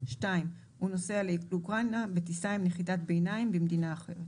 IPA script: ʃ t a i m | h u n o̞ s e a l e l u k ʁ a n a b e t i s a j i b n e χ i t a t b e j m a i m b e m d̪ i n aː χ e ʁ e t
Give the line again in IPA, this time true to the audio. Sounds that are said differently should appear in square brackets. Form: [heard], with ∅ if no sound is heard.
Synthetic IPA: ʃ t a i m | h u n o̞ s e a l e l u k ʁ a n a b e t i s a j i [m] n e χ i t a t b e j [n] a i m b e m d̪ i n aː χ e ʁ e t

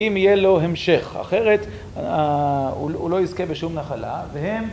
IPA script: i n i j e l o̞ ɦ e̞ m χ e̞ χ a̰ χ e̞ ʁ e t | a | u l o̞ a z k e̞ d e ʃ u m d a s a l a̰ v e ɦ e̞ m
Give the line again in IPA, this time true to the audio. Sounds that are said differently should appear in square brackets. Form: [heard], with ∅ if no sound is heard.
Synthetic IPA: i [m] i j e l o̞ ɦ e̞ m [ʃ] e̞ χ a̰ χ e̞ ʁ e t | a | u l o̞ [i] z k e̞ [b] e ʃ u m [n] a [χ] a l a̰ v e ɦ e̞ m

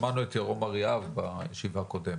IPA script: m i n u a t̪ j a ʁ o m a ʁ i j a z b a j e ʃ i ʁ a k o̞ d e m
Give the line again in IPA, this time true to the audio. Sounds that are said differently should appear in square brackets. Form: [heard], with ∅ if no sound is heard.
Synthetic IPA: m [a] n u [e] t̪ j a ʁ o m a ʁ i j a [v] b a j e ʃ i [v] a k o̞ d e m

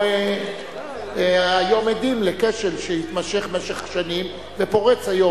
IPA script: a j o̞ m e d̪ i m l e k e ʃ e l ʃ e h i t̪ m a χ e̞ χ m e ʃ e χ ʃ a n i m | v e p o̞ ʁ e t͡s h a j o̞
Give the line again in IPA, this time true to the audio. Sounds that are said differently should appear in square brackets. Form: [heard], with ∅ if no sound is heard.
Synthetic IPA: a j o̞ m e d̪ i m l e k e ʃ e l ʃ e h i t̪ m a [ʃ] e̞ χ m e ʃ e χ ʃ a n i m | v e p o̞ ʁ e t͡s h a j o̞

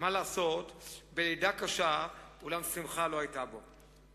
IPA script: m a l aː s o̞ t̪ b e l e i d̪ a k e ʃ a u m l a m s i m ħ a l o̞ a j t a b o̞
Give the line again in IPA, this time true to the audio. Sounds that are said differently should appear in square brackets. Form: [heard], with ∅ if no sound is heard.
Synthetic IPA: m a l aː s o̞ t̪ b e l e [j] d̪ a k [a] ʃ a u [∅] l a m s i m [χ] a l o̞ a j t a b o̞

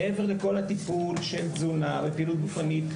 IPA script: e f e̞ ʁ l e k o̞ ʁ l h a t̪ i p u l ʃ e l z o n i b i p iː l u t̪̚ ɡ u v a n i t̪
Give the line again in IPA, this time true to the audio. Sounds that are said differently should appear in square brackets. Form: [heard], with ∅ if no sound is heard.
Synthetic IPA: e [v] e̞ ʁ l e k o̞ [∅] l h a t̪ i p u l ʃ e l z [u] n [a] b [e] p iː l u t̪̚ ɡ u [f] a n i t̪

